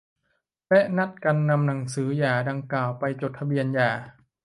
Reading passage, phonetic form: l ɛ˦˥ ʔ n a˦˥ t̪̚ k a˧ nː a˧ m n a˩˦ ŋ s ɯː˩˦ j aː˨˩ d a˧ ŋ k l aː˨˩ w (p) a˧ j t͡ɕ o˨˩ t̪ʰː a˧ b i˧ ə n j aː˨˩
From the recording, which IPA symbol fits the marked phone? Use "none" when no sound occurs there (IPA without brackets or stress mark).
p